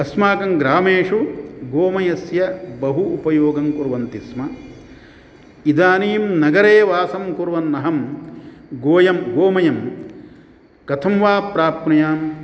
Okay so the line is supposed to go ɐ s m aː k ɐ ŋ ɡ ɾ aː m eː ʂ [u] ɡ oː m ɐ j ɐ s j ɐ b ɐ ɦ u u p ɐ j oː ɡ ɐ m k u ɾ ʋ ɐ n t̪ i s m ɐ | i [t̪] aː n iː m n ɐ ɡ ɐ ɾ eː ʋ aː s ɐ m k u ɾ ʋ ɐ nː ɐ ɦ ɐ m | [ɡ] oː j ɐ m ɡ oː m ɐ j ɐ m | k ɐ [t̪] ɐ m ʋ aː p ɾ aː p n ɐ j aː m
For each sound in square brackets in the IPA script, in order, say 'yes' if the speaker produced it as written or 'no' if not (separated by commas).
yes, no, yes, no